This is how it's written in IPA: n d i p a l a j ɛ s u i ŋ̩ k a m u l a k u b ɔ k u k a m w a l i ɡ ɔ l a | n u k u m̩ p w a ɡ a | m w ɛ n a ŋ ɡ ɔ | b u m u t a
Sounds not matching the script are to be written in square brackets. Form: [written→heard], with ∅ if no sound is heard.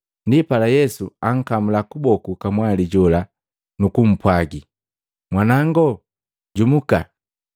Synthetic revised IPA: n d i p a l a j ɛ s u [i→a] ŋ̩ k a m u l a k u b ɔ k u k a m w a l i [ɡ→ɟ] ɔ l a | n u k u m̩ p w a ɡ [a→i] | m w [ɛ→a] n a ŋ ɡ ɔ | [b→ɟ] u m u [t→k] a